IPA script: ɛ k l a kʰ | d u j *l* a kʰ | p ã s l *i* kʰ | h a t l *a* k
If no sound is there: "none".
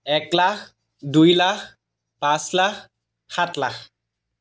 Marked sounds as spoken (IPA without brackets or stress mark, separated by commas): l, a, a